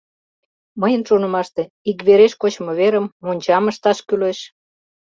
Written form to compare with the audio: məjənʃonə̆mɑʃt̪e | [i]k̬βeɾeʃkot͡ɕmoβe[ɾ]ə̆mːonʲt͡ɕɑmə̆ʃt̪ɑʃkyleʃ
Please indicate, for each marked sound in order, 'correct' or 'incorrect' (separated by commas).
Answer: correct, correct